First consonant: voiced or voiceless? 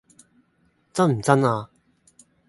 voiceless